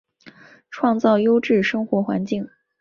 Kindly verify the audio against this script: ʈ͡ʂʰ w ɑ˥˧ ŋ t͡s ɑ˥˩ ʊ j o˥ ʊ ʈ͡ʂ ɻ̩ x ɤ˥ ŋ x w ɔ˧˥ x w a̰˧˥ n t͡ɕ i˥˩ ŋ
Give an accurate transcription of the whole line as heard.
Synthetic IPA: ʈ͡ʂʰ w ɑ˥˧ ŋ t͡s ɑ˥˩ ʊ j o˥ ʊ ʈ͡ʂ ɻ̩ ʂ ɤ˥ ŋ x w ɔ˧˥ x w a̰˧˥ n t͡ɕ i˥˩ ŋ